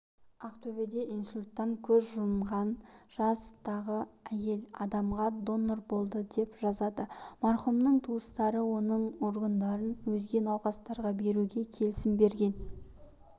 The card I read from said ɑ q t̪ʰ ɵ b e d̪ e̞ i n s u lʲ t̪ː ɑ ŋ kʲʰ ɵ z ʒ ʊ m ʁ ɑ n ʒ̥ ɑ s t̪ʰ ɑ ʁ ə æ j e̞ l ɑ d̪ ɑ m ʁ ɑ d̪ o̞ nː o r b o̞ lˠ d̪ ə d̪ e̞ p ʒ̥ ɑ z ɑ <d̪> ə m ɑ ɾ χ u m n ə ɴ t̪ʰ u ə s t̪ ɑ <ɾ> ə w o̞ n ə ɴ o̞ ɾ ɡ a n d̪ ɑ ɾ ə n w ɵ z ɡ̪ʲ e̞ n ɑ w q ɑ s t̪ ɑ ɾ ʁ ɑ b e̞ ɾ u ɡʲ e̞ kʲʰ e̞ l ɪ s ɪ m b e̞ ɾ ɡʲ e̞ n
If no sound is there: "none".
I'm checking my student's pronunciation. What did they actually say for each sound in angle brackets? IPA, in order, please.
d̪, ɾ

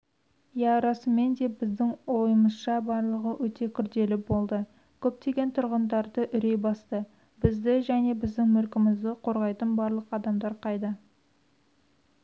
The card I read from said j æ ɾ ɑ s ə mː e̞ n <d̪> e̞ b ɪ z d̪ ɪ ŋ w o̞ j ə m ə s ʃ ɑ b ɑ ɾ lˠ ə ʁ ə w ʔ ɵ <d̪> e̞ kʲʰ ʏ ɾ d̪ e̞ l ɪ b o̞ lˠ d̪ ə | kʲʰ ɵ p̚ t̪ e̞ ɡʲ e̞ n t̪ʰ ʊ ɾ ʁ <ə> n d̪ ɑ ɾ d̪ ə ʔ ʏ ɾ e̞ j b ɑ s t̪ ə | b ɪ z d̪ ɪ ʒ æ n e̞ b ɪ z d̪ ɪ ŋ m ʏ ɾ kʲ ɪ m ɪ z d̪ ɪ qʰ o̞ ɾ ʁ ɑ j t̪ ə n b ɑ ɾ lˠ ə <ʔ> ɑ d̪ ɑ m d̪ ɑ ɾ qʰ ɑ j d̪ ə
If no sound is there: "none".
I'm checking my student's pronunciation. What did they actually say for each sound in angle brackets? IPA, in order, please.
d̪, t̪, ə, q

